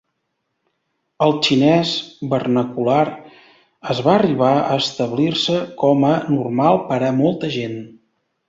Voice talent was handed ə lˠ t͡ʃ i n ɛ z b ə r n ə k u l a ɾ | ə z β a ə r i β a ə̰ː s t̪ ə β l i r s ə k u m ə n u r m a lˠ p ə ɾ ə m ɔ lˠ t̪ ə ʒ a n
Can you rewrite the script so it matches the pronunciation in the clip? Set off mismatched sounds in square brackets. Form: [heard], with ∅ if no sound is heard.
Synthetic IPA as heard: ə lˠ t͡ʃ i n ɛ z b ə r n ə k u l a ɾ | ə z β a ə r i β a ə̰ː s t̪ ə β l i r s ə k [ɔ] m ə n u r m a lˠ p ə ɾ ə m ɔ lˠ t̪ ə ʒ [e] n